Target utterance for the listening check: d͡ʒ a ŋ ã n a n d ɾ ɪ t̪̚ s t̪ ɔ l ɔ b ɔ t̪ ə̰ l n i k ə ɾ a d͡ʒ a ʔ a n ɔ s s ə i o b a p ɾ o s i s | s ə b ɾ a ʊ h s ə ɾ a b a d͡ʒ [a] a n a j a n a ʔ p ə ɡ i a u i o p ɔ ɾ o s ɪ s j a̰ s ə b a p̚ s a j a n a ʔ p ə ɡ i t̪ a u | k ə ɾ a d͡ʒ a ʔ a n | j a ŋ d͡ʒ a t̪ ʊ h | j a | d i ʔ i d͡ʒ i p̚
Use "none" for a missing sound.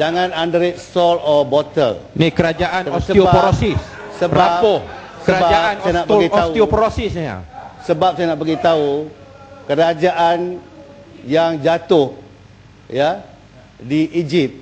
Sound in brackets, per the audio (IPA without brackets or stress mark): a